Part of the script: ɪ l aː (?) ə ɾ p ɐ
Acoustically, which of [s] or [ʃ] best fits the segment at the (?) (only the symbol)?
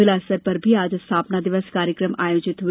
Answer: s